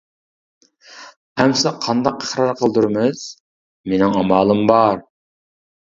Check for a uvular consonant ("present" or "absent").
present